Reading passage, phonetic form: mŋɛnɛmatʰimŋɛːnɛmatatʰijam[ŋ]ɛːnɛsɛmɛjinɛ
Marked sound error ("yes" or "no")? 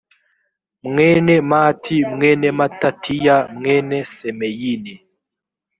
no